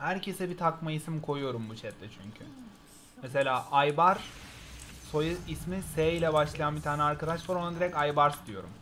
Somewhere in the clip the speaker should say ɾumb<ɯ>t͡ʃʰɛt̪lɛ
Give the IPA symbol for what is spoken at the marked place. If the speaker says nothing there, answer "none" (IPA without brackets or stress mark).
u